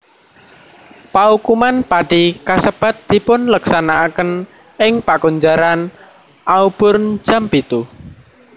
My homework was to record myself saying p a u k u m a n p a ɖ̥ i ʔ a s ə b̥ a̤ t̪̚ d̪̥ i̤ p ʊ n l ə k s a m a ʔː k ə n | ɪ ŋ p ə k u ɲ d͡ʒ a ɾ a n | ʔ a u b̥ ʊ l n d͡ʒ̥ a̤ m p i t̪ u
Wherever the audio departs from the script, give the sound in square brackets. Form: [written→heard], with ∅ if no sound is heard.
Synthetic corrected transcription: p a u k u m a n p a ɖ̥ i [ʔ→k] a s ə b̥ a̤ t̪̚ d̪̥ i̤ p ʊ n l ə k s a [m→n] a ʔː k ə n | ɪ ŋ p [ə→a] k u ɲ d͡ʒ a ɾ a n | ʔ a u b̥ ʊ [l→r] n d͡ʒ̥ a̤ m p i t̪ u